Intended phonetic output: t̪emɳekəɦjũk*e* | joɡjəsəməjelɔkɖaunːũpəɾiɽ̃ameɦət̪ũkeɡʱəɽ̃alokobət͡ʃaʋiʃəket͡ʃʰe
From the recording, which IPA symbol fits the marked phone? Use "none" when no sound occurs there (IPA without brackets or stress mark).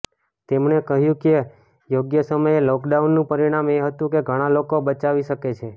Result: e